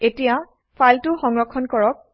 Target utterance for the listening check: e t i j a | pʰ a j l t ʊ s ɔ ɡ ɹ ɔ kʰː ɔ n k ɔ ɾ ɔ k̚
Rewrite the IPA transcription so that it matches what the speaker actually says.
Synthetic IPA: e t i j a | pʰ a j l t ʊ x ɔ ŋ ɹ ɔ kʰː ɔ n k ɔ ɹ ɔ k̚